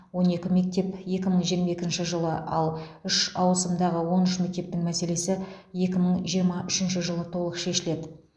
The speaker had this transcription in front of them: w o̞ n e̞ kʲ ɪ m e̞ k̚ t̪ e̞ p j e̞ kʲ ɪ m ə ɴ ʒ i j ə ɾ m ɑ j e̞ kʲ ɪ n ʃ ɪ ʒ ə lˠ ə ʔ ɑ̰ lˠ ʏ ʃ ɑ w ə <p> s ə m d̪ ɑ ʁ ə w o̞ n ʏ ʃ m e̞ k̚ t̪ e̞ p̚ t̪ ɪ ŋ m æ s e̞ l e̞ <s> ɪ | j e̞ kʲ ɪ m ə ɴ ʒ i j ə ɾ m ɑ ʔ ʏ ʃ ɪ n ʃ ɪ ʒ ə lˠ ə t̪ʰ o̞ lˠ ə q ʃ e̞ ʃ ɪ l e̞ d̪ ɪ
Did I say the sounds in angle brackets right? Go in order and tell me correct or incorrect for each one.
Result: incorrect: none, correct

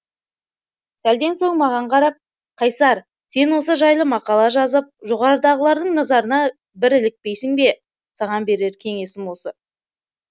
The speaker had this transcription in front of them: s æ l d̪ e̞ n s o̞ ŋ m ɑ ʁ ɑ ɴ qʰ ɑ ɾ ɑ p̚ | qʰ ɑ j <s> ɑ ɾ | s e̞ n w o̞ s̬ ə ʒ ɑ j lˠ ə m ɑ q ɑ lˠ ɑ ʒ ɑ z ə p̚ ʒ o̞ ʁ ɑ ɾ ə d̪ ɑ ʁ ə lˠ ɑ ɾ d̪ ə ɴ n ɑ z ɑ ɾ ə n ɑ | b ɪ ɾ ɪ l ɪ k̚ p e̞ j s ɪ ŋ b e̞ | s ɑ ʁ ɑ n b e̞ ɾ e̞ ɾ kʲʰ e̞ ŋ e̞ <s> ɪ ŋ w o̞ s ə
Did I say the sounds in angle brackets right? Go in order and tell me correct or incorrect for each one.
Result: correct, correct

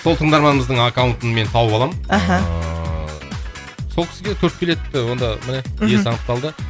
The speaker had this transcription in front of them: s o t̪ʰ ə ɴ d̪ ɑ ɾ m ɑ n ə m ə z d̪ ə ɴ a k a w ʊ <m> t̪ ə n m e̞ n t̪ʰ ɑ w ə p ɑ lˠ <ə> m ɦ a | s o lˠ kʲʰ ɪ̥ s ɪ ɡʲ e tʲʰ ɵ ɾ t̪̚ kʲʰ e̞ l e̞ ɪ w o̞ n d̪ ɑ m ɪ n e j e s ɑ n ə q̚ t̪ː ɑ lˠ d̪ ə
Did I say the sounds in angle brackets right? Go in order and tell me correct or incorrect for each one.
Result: incorrect: n, incorrect: ɑ

